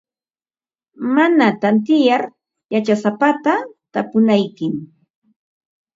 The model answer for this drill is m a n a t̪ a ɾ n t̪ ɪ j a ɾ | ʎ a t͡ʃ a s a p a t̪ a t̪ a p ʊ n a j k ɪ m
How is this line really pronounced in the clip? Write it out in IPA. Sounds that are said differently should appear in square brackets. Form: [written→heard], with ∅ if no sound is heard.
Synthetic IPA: m a n a t̪ a [ɾ→∅] n t̪ ɪ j a ɾ | [ʎ→j] a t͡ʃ a s a p a t̪ a t̪ a p ʊ n a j k ɪ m